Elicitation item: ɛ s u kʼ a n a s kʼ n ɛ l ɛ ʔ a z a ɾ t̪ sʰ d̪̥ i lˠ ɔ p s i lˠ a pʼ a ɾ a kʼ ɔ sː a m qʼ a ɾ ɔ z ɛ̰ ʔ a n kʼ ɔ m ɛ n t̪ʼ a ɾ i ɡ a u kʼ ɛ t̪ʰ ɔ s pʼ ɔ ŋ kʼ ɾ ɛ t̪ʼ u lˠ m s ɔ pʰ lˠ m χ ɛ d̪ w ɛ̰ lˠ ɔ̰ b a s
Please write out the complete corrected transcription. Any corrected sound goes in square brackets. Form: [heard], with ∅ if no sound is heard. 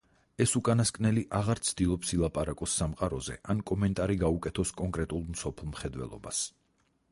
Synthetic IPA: ɛ s u kʼ a n a s kʼ n ɛ l [i] ʔ a [ʁ] a ɾ t̪ sʰ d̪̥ i lˠ ɔ p s i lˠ a pʼ a ɾ a kʼ ɔ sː a m qʼ a ɾ ɔ z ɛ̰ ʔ a n kʼ ɔ m ɛ n t̪ʼ a ɾ i ɡ a u kʼ ɛ t̪ʰ ɔ s [kʼ] ɔ ŋ kʼ ɾ ɛ t̪ʼ u lˠ m s ɔ pʰ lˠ m χ ɛ d̪ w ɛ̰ lˠ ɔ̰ b a s

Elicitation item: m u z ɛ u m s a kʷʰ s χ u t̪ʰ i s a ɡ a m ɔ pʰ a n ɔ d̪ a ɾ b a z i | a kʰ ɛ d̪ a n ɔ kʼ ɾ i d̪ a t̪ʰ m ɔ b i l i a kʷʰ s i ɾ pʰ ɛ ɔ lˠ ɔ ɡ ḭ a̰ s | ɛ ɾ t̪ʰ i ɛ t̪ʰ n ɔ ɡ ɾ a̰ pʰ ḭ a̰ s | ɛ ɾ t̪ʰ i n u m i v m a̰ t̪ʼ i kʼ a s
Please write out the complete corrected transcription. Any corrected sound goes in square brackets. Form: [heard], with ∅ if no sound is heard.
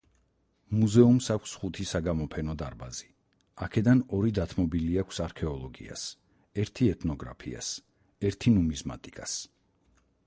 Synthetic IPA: m u z ɛ u m s a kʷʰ s χ u t̪ʰ i s a ɡ a m ɔ pʰ [ɛ] n ɔ d̪ a ɾ b a z i | a kʰ ɛ d̪ a n ɔ [∅] ɾ i d̪ a t̪ʰ m ɔ b i l i a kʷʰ s [a] ɾ [kʰ] ɛ ɔ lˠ ɔ ɡ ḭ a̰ s | ɛ ɾ t̪ʰ i ɛ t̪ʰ n ɔ ɡ ɾ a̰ pʰ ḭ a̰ s | ɛ ɾ t̪ʰ i n u m i [z] m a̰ t̪ʼ i kʼ a s

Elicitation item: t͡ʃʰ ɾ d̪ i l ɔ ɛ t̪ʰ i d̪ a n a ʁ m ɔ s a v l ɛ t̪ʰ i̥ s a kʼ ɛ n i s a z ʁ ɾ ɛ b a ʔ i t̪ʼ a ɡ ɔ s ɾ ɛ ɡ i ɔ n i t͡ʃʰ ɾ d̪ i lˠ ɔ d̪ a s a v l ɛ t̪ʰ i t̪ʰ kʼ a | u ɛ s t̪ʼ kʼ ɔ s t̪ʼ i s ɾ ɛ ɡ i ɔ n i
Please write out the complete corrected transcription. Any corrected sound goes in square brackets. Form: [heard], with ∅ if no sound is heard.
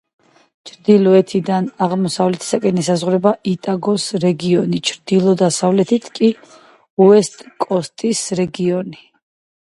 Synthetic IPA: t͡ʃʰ ɾ d̪ i l ɔ ɛ t̪ʰ i d̪ a n a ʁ m ɔ s a v l ɛ t̪ʰ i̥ s a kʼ ɛ n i s a z ʁ ɾ ɛ b a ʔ i t̪ʼ a ɡ ɔ s ɾ ɛ ɡ i ɔ n i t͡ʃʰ ɾ d̪ i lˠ ɔ d̪ a s a v l ɛ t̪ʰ i t̪ʰ kʼ [i] | u ɛ s t̪ʼ kʼ ɔ s t̪ʼ i s ɾ ɛ ɡ i ɔ n i

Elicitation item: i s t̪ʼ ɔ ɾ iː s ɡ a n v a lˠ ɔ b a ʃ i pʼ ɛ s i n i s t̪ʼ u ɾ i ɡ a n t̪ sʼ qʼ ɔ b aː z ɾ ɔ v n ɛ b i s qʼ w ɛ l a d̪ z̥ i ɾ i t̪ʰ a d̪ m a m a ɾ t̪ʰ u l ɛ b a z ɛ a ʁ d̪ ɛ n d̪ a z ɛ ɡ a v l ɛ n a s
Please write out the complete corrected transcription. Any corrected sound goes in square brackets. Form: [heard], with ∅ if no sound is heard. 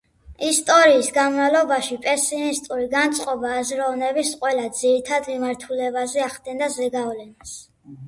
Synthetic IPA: i s t̪ʼ ɔ ɾ iː s ɡ a n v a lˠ ɔ b a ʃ i pʼ ɛ s i n i s t̪ʼ u ɾ i ɡ a n t̪ sʼ qʼ ɔ b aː z ɾ ɔ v n ɛ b i s qʼ w ɛ l a d̪ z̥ i ɾ i t̪ʰ a d̪ m [i] m a ɾ t̪ʰ u l ɛ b a z ɛ a [χ] d̪ ɛ n d̪ a z ɛ ɡ a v l ɛ n a s

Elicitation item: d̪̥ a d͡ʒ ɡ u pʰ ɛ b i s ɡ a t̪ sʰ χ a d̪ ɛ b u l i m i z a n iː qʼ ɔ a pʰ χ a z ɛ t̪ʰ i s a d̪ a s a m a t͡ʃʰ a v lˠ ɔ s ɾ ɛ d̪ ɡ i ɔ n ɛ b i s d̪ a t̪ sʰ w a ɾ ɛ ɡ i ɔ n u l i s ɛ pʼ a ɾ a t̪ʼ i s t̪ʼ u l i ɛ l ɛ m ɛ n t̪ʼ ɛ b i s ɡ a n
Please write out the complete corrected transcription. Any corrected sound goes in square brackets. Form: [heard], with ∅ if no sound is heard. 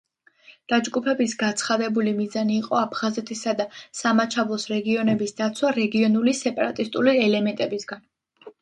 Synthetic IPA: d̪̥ a d͡ʒ ɡ u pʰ ɛ b i s ɡ a t̪ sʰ χ a d̪ ɛ b u l i m i z a n iː qʼ ɔ a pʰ χ a z ɛ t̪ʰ i s a d̪ a s a m a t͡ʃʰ a v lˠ ɔ s ɾ ɛ [∅] ɡ i ɔ n ɛ b i s d̪ a t̪ sʰ w a ɾ ɛ ɡ i ɔ n u l i s ɛ pʼ a ɾ a t̪ʼ i s t̪ʼ u l i ɛ l ɛ m ɛ n t̪ʼ ɛ b i s ɡ a n

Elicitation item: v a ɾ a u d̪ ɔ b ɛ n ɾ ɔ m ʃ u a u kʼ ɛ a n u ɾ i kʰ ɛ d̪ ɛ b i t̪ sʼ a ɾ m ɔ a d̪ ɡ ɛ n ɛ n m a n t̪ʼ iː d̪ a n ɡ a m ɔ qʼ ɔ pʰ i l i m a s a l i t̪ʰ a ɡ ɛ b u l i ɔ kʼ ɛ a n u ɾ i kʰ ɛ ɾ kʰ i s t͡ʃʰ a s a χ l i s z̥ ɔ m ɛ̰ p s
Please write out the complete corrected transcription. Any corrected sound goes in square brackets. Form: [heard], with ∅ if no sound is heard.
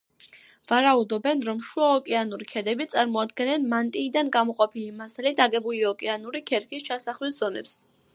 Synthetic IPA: v a ɾ a u d̪ ɔ b ɛ n ɾ ɔ m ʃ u a [ɔ] kʼ ɛ a n u ɾ i kʰ ɛ d̪ ɛ b i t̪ sʼ a ɾ m ɔ a d̪ ɡ ɛ n ɛ n m a n t̪ʼ iː d̪ a n ɡ a m ɔ qʼ ɔ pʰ i l i m a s a l i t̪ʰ a ɡ ɛ b u l i ɔ kʼ ɛ a n u ɾ i kʰ ɛ ɾ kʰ i s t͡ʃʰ a s a χ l i s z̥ ɔ [n] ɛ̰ p s

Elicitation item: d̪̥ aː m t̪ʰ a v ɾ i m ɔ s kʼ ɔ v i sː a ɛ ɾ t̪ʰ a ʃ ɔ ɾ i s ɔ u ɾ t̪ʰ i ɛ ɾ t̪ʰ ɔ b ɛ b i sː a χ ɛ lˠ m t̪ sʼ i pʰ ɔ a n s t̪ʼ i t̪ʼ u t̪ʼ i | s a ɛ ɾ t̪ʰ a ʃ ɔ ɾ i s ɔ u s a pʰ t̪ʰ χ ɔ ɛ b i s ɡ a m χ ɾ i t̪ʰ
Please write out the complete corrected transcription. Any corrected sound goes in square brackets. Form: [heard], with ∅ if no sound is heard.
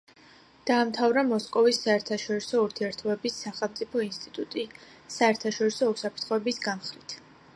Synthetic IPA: d̪̥ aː m t̪ʰ a v ɾ [a] m ɔ s kʼ ɔ v i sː a ɛ ɾ t̪ʰ a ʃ ɔ ɾ i s ɔ u ɾ t̪ʰ i ɛ ɾ t̪ʰ ɔ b ɛ b i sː a χ ɛ lˠ m t̪ sʼ i pʰ ɔ [i] n s t̪ʼ i t̪ʼ u t̪ʼ i | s a ɛ ɾ t̪ʰ a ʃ ɔ ɾ i s ɔ u s a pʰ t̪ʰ χ ɔ ɛ b i s ɡ a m χ ɾ i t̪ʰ

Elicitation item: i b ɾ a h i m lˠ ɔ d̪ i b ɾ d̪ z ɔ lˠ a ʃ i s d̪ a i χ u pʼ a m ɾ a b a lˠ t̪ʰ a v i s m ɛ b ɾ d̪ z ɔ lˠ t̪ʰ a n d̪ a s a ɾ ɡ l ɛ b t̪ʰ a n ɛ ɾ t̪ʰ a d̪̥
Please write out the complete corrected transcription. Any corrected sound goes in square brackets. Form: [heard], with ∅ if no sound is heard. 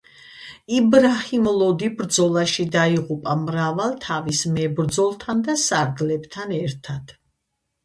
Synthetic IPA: i b ɾ a h i m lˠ ɔ d̪ i b ɾ d̪ z ɔ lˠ a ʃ i [∅] d̪ a i [ʁ] u pʼ a m ɾ a [v] a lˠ t̪ʰ a v i s m ɛ b ɾ d̪ z ɔ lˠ t̪ʰ a n d̪ a s a ɾ ɡ l ɛ b t̪ʰ a n ɛ ɾ t̪ʰ a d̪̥

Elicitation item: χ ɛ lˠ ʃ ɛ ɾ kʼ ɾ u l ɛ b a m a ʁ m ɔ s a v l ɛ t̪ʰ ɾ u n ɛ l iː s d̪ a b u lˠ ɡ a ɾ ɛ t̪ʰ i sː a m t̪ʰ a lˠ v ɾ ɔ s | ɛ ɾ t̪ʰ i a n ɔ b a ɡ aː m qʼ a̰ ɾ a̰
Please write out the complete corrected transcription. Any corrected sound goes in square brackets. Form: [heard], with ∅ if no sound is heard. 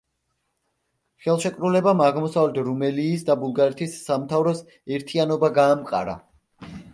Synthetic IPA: χ ɛ lˠ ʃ ɛ [∅] kʼ ɾ u l ɛ b a m a ʁ m ɔ s a v l ɛ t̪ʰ ɾ u [m] ɛ l iː s d̪ a b u lˠ ɡ a ɾ ɛ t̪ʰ i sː a m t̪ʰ a [∅] v ɾ ɔ s | ɛ ɾ t̪ʰ i a n ɔ b a ɡ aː m qʼ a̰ ɾ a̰

